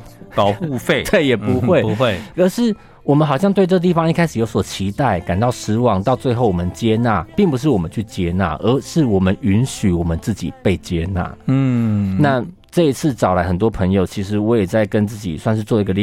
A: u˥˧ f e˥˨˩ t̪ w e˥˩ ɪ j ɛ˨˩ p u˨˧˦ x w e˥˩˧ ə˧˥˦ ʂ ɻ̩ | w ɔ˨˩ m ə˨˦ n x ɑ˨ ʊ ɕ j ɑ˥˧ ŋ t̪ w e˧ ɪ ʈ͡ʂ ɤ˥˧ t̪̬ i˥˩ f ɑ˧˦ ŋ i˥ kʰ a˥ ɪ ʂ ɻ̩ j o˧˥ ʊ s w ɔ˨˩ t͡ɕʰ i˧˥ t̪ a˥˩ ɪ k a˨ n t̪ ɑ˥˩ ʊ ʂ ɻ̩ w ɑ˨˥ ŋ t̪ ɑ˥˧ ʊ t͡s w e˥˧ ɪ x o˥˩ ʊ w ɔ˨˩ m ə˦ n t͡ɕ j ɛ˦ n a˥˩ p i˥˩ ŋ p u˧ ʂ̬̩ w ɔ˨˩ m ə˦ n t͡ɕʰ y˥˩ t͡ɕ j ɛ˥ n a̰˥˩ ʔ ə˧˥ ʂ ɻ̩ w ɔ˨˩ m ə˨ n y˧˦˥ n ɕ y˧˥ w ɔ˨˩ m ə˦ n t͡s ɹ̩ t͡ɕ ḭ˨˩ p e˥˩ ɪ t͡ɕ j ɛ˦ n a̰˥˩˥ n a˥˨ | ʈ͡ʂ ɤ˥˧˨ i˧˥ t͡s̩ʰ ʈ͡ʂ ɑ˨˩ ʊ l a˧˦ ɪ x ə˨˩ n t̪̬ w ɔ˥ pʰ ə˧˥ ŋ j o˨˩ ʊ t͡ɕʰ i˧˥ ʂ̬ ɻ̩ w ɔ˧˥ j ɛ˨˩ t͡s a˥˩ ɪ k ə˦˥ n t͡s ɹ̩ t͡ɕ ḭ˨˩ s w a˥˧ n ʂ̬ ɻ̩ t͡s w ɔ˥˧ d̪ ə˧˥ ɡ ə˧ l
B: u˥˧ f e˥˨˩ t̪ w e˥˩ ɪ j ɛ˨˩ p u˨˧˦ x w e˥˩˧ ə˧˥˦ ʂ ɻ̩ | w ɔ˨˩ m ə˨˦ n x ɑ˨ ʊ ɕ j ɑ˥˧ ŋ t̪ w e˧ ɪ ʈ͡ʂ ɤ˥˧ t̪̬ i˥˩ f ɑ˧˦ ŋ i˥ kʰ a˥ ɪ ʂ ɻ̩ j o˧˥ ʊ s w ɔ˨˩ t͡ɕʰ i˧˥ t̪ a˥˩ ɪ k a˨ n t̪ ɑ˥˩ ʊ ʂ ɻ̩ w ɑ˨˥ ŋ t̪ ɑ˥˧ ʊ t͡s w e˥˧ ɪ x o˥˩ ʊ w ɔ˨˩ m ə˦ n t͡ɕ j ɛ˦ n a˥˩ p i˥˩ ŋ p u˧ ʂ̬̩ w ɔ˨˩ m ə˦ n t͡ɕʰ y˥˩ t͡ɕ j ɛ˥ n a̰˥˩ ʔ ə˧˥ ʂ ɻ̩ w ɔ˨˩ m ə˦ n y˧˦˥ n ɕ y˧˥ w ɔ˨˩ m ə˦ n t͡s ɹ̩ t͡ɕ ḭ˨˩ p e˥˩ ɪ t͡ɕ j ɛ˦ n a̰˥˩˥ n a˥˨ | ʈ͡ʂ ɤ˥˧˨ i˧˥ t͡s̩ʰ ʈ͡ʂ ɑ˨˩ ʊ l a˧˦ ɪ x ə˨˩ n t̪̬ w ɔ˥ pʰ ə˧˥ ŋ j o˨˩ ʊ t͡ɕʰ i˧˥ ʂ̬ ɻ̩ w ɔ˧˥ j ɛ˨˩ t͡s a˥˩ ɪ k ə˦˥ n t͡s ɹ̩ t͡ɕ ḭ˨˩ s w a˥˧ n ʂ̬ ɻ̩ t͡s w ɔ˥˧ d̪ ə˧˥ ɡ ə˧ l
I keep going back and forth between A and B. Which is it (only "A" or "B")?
B